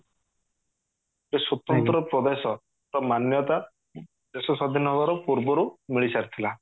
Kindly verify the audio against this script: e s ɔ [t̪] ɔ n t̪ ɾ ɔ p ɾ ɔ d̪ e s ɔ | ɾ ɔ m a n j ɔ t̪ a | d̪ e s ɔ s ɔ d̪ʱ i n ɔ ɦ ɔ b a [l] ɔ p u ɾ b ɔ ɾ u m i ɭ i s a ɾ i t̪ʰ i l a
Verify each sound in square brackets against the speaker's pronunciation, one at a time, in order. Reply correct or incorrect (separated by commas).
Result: correct, incorrect